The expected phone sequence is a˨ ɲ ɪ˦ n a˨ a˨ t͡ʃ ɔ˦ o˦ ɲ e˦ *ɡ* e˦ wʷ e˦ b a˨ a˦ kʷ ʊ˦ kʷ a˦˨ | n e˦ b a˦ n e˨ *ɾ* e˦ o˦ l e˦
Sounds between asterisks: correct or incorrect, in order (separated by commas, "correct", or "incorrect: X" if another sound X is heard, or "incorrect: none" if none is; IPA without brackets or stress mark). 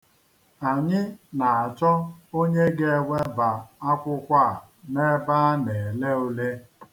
correct, incorrect: l